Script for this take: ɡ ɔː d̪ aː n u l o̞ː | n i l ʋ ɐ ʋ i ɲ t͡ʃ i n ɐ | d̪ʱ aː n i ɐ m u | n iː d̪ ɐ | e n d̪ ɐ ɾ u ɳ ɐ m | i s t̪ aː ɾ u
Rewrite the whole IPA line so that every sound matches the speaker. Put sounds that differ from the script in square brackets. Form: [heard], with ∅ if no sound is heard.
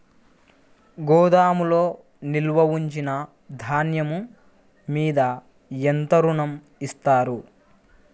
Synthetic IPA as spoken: ɡ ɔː d̪ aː [m] u l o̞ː | n i l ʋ ɐ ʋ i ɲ t͡ʃ i n ɐ | d̪ʱ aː n [j] ɐ m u | [m] iː d̪ ɐ | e n [t̪] ɐ ɾ u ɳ ɐ m | i s t̪ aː ɾ u

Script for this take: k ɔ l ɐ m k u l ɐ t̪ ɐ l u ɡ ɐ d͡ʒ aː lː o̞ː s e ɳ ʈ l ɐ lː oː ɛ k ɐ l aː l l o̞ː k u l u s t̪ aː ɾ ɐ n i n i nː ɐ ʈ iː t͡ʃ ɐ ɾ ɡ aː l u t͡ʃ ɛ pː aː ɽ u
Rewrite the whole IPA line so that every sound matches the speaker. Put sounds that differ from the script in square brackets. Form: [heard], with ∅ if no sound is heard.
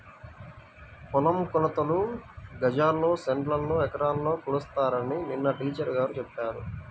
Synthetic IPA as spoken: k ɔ l ɐ m k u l ɐ t̪ ɐ l u ɡ ɐ d͡ʒ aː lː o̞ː s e ɳ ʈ l ɐ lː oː ɛ k ɐ [ɾ] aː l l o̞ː k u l u s t̪ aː ɾ ɐ n i n i nː ɐ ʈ iː t͡ʃ ɐ ɾ ɡ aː [ɾ] u t͡ʃ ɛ pː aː [ɾ] u

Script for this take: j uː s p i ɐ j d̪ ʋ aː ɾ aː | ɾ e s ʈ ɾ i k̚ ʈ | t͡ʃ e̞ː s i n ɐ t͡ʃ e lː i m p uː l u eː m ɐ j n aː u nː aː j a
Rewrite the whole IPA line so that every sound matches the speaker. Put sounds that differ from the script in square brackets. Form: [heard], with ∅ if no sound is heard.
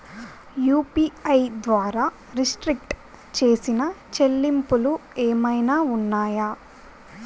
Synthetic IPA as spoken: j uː [∅] p i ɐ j d̪ ʋ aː ɾ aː | ɾ [i] s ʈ ɾ i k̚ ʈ | t͡ʃ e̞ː s i n ɐ t͡ʃ e lː i m p [u] l u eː m ɐ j n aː u nː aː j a

